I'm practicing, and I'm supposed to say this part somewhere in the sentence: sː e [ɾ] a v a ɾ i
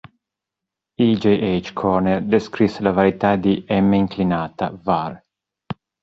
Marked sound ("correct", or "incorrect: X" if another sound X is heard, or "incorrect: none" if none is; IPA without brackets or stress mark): incorrect: l